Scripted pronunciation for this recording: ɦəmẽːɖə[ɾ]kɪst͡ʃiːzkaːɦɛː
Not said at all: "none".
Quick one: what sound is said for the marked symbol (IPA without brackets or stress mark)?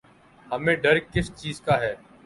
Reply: ɾ